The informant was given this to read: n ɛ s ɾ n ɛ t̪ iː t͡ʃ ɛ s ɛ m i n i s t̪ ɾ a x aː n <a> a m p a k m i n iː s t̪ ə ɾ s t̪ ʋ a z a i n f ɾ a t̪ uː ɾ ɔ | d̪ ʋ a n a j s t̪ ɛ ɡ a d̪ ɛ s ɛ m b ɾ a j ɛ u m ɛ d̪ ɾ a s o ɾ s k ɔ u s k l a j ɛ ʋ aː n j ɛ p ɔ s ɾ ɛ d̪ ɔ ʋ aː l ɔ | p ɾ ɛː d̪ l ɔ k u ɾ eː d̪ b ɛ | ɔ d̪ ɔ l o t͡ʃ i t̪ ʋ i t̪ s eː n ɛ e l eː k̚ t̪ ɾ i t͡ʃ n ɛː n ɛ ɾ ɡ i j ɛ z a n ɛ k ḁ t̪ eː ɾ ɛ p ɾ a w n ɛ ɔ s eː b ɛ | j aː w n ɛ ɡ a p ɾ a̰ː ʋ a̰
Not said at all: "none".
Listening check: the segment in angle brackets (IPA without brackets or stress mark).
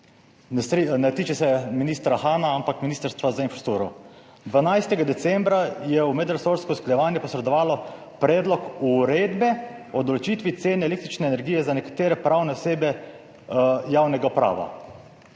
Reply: a